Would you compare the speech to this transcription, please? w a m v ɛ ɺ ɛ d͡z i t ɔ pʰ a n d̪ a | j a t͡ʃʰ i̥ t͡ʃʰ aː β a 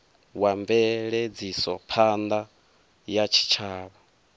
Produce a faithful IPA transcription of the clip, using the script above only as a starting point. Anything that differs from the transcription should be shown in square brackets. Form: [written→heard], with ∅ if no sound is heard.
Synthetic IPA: w a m v ɛ ɺ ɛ d͡z i [t→s] ɔ pʰ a n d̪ a | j a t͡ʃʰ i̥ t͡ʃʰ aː β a